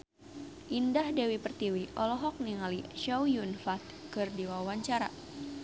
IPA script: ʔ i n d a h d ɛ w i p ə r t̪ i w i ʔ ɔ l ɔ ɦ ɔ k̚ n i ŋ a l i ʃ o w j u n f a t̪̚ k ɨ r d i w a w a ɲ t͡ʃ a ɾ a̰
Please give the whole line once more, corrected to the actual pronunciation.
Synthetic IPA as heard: ʔ i n d a h d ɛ w i p ə r t̪ i w i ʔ ɔ l ɔ ɦ ɔ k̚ n i ŋ a l i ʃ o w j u n f a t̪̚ k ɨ r d i w a w a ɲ t͡ʃ a ɾ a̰